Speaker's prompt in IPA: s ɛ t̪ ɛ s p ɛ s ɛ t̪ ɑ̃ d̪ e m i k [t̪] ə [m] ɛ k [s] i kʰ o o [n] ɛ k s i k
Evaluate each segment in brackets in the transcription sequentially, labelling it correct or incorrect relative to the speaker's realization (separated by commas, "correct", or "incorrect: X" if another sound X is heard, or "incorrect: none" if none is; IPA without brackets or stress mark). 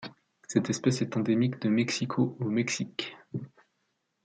incorrect: d̪, correct, correct, incorrect: m